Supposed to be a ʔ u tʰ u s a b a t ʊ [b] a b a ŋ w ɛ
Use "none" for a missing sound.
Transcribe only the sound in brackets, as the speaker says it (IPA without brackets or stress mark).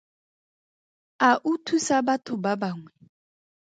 b